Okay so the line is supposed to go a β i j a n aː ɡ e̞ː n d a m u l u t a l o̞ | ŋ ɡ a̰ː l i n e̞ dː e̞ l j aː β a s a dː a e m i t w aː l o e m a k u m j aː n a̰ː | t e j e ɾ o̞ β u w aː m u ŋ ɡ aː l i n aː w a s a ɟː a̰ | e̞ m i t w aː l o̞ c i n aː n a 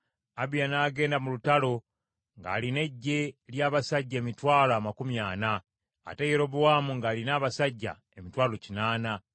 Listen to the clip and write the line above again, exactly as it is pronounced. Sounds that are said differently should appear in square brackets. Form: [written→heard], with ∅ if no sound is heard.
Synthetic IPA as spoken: a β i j a n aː ɡ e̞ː n d a m u l u t a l o̞ | ŋ ɡ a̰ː l i n e̞ [dː→ɟː] e̞ l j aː β a s a [dː→ɟː] a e m i t w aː l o [e→a] m a k u m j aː n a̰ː | t e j e ɾ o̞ β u w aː m u ŋ ɡ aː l i n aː [w→β] a s a ɟː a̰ | e̞ m i t w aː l o̞ c i n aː n a